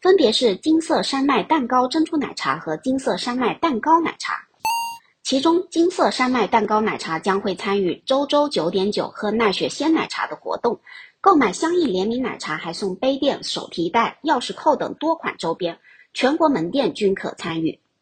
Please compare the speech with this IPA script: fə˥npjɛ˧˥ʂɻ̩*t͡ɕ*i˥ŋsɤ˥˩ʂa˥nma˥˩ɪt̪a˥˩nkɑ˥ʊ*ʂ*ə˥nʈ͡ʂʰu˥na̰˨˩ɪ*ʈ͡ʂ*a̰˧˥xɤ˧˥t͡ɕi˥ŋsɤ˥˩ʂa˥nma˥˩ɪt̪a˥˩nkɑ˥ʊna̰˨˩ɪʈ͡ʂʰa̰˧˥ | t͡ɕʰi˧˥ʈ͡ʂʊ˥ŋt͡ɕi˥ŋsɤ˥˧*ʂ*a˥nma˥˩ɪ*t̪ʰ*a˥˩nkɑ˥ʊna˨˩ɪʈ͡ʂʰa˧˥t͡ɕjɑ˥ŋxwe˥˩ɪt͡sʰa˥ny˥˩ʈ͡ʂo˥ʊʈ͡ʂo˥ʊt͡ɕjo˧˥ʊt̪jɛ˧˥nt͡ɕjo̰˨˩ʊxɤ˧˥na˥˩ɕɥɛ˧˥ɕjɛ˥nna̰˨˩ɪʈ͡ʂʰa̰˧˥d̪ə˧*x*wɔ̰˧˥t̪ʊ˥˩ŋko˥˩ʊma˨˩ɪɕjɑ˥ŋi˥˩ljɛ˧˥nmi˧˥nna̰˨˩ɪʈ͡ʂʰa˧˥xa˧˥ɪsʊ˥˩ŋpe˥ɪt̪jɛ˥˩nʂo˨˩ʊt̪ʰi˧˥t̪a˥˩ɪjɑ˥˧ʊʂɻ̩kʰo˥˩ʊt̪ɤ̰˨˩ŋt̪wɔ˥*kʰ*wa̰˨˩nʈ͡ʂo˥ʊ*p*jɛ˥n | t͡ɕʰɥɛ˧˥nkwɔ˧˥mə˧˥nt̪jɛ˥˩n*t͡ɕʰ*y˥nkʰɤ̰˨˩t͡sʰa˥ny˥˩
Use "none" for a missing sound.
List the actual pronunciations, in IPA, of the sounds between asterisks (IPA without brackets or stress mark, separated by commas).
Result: t͡ɕ, ʈ͡ʂ, ʈ͡ʂʰ, ʂ, t̪, x, kʰ, p, t͡ɕ